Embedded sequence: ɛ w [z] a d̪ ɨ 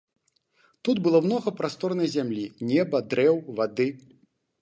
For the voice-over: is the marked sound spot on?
no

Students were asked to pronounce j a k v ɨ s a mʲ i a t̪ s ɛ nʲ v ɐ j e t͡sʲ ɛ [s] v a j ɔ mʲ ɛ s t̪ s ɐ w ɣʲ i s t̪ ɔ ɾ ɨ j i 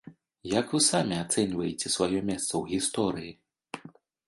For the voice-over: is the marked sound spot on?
yes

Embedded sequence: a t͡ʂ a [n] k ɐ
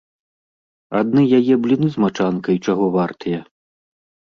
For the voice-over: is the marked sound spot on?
yes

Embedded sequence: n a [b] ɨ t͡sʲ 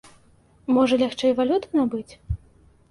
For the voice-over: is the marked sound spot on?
yes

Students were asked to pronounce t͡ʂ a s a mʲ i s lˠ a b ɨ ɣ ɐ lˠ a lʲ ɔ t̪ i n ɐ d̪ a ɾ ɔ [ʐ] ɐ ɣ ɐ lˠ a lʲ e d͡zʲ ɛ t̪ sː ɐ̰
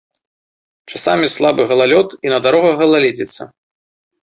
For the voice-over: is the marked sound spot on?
no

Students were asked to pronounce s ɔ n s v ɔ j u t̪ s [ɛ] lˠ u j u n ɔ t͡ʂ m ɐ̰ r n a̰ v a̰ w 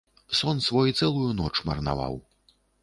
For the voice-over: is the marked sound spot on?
yes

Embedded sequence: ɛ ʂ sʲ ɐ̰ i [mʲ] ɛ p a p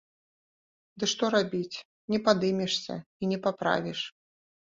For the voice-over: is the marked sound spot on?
no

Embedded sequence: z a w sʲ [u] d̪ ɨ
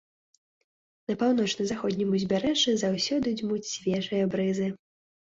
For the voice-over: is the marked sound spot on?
no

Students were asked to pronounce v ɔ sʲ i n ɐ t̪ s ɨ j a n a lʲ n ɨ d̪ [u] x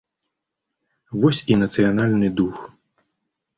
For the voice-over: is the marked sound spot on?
yes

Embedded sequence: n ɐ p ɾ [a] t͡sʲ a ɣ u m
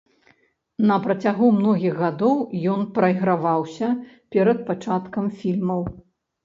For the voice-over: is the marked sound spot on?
no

